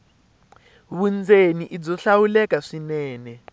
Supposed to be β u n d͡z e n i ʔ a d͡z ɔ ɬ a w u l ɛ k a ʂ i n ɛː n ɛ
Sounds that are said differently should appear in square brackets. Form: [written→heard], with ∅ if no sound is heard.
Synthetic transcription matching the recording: β u n d͡z e n i ʔ [a→i] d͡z ɔ ɬ a w u l ɛ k a ʂ i n ɛː n ɛ